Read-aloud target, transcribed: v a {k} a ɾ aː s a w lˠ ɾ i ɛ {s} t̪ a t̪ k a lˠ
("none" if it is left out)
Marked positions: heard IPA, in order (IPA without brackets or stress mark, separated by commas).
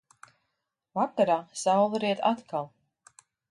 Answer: k, none